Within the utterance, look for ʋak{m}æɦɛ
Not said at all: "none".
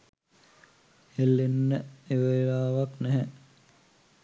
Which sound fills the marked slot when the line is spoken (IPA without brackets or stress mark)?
n